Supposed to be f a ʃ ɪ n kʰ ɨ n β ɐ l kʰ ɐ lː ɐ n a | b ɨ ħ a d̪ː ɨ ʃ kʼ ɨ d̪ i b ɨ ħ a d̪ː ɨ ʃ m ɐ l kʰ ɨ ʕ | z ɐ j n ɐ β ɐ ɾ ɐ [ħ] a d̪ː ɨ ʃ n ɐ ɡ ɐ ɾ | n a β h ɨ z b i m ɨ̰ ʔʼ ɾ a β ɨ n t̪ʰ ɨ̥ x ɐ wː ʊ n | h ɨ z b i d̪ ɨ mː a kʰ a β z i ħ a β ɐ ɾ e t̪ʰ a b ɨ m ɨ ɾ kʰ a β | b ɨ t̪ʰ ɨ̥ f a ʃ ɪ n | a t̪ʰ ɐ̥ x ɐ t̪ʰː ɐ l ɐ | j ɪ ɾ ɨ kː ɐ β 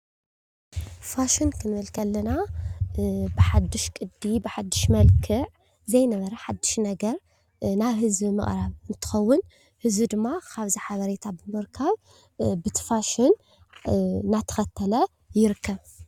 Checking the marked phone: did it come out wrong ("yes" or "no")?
no